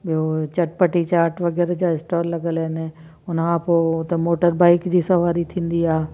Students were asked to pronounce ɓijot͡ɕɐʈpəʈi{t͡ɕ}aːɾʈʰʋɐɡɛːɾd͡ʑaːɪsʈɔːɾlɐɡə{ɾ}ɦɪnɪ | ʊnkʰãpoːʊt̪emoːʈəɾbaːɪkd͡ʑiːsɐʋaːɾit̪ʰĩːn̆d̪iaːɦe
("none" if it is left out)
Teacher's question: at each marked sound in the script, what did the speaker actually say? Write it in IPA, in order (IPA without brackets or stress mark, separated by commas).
t͡ɕ, l